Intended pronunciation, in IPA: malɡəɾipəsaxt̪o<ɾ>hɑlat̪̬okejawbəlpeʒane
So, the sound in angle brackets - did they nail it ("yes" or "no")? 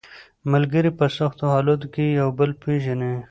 no